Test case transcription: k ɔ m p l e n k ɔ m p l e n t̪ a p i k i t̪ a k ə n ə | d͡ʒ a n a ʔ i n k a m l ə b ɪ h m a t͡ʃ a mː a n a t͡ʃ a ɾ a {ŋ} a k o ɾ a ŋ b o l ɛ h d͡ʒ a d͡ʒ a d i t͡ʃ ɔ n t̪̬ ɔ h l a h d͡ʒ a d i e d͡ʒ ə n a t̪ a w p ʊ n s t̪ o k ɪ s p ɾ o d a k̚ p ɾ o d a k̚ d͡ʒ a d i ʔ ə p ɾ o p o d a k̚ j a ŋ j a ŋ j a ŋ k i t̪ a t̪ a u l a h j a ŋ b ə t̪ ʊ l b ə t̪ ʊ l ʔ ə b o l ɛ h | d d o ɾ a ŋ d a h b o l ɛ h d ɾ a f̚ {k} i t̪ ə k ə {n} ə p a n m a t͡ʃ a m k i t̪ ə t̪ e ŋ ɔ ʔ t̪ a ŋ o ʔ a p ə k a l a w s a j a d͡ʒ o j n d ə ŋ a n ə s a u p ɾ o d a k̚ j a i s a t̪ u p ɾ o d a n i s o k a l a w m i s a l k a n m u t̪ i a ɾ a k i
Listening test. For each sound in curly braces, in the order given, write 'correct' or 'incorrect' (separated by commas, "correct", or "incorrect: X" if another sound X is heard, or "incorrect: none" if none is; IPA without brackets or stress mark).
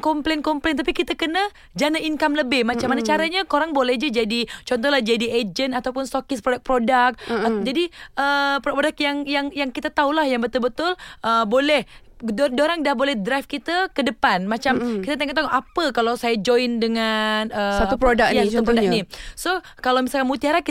incorrect: ɲ, correct, incorrect: d